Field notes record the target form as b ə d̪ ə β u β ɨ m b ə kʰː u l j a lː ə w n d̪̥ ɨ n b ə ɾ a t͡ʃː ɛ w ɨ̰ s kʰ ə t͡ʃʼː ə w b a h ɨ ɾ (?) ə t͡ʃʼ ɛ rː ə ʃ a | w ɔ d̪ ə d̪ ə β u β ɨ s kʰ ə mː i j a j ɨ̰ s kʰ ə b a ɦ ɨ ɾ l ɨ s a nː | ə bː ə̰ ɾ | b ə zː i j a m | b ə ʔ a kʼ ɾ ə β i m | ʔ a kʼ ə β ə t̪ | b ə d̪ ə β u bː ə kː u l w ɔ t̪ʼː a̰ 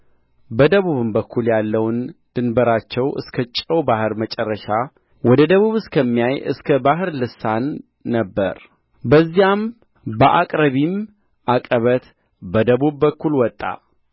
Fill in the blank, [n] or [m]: m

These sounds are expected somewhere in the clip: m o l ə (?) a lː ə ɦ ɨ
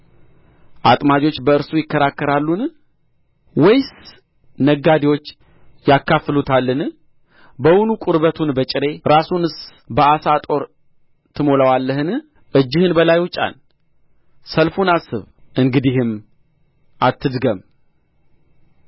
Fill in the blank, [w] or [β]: w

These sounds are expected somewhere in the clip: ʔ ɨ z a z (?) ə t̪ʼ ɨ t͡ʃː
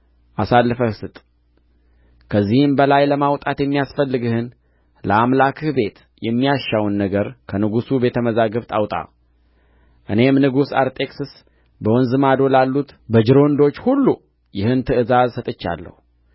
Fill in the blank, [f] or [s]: s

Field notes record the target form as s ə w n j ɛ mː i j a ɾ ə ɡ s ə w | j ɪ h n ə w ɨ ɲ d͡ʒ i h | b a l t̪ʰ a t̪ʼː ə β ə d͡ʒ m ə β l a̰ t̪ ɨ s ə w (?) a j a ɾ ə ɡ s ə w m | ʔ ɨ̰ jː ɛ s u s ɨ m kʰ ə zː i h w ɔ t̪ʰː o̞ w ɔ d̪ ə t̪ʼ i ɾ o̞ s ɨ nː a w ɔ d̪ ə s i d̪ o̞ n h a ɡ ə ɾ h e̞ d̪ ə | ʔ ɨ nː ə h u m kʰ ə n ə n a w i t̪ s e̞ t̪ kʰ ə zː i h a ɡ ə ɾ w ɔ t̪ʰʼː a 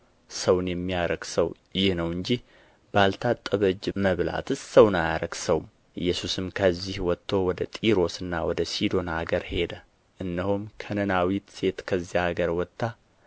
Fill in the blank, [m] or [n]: n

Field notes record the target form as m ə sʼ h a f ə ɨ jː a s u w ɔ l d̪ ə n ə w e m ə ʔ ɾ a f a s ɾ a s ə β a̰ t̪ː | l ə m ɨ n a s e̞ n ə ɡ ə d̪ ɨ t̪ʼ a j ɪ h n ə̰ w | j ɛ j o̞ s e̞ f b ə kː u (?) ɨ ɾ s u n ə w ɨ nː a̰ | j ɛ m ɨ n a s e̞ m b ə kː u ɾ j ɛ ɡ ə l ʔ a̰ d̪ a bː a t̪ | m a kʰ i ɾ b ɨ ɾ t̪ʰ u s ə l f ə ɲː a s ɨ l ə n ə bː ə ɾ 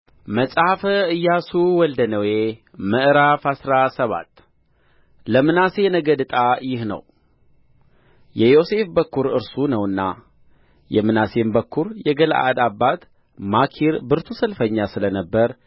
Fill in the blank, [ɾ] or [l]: ɾ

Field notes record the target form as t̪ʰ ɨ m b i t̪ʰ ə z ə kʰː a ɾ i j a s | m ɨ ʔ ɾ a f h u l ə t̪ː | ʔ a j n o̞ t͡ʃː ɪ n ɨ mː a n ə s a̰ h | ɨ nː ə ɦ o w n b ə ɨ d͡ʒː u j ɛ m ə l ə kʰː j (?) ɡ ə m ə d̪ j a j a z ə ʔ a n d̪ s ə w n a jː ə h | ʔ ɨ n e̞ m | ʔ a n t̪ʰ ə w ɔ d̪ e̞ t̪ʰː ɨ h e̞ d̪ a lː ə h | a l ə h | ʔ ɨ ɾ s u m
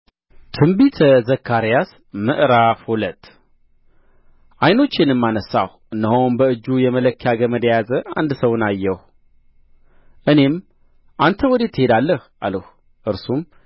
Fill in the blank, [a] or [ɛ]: a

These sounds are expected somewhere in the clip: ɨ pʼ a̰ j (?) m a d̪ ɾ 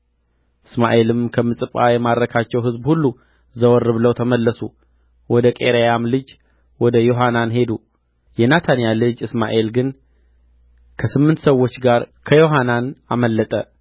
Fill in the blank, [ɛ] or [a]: ɛ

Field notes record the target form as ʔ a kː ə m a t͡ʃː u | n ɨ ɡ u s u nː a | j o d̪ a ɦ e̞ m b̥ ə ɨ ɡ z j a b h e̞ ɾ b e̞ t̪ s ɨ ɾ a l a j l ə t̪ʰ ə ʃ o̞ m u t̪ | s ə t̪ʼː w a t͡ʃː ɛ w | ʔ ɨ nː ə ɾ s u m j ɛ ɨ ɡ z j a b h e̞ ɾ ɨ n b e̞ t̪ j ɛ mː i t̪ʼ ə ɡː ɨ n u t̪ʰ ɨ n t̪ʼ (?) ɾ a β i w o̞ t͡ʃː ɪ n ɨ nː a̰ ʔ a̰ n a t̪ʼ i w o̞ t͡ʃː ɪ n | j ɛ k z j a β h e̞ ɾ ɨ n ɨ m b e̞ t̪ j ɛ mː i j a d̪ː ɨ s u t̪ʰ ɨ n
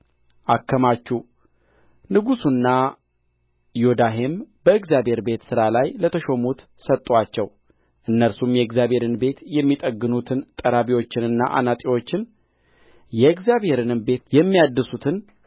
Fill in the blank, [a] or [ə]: ə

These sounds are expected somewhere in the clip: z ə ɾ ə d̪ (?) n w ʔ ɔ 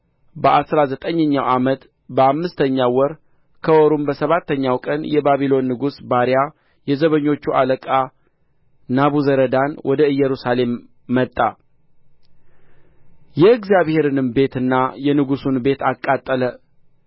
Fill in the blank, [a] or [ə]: a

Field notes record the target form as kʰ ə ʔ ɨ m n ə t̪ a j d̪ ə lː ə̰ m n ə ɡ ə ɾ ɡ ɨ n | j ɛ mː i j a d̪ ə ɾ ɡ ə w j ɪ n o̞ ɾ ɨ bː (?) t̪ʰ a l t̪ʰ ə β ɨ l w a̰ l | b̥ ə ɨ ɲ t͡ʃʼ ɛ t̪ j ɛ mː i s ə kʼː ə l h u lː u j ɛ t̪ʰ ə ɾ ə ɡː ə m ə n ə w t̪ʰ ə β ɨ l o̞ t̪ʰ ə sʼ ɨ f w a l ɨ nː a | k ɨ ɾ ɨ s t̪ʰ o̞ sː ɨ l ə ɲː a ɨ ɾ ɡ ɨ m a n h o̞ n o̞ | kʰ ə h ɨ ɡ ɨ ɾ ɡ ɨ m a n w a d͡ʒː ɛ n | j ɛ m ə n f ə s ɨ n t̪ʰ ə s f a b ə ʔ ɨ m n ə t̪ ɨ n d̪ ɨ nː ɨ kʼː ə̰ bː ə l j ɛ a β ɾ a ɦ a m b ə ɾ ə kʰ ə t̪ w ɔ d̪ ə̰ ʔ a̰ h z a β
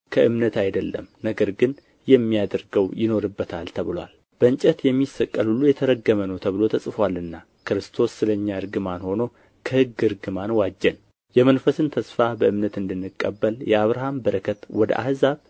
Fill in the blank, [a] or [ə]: ə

